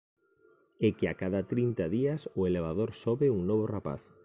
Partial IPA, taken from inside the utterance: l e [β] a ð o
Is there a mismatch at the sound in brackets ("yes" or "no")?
no